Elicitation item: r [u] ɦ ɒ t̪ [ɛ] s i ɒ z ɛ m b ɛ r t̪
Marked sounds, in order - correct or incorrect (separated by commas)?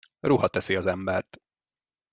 correct, correct